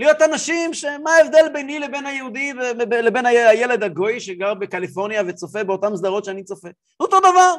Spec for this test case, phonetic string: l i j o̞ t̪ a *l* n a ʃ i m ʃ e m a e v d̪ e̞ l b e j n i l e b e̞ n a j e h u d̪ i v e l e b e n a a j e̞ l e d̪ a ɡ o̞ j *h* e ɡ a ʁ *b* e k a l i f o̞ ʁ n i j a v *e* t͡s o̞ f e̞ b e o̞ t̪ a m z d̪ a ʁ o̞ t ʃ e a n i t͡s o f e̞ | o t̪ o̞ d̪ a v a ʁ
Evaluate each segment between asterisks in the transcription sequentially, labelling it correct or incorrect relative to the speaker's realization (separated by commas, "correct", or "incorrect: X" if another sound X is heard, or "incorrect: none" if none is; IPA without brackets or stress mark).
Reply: incorrect: none, incorrect: ʃ, correct, correct